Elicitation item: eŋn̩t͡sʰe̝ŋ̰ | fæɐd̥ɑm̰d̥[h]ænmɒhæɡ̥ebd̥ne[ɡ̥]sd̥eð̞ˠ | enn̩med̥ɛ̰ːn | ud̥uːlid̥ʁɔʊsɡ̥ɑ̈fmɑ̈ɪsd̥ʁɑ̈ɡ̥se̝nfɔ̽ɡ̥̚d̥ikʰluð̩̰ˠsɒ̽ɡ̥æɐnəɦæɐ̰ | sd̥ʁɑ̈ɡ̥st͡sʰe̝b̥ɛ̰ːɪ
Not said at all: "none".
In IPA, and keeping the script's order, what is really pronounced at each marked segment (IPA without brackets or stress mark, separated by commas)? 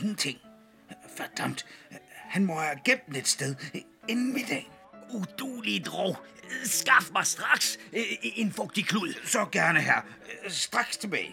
h, d̥